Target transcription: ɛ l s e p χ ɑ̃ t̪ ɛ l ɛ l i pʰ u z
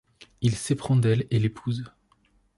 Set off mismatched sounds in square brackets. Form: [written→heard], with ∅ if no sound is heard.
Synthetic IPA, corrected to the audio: [ɛ→i] l s e p χ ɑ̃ [t̪→d̪] ɛ l [ɛ→e] l [i→e] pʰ u z